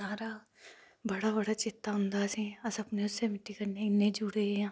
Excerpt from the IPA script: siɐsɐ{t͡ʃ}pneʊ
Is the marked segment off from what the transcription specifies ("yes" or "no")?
yes